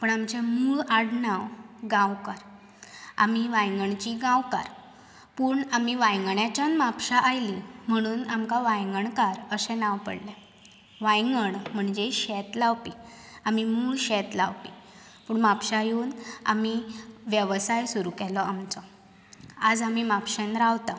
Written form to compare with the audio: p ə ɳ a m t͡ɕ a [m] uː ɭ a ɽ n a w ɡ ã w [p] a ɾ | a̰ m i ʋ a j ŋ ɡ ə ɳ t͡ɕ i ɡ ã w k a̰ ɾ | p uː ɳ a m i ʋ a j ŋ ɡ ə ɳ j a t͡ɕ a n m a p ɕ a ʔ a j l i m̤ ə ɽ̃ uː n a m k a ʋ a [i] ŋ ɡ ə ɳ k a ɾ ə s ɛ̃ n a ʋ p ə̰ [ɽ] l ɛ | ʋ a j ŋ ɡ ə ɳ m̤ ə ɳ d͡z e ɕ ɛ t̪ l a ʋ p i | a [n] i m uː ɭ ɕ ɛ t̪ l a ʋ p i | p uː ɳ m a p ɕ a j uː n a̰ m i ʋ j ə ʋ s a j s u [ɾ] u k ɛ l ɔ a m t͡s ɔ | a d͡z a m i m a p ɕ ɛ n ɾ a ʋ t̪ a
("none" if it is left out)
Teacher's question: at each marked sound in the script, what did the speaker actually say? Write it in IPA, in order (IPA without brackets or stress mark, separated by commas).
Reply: m, k, j, ɽ, m, ɾ